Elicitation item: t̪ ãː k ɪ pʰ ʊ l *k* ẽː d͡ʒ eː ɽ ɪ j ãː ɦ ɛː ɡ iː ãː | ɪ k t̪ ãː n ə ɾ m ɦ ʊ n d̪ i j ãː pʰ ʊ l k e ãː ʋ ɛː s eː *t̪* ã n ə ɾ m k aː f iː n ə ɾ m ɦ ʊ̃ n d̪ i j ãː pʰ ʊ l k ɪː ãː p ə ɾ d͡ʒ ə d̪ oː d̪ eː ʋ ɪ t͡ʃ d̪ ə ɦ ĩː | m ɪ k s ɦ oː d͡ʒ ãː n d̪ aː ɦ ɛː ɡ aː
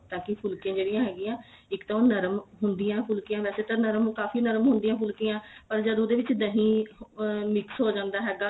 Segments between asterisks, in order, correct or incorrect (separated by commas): correct, correct